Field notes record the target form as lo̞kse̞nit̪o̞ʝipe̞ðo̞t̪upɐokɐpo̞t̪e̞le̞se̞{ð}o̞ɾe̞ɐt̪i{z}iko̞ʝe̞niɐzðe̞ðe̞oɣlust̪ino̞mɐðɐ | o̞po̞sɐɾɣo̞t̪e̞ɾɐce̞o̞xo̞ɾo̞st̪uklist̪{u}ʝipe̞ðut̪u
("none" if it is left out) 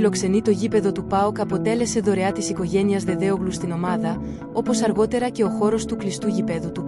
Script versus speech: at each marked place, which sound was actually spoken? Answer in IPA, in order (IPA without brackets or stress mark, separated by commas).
ð, s, u